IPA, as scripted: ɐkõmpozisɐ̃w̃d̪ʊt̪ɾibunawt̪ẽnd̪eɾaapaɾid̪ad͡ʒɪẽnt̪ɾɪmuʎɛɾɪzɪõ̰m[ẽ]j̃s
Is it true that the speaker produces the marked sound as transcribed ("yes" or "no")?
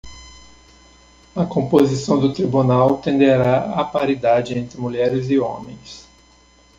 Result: yes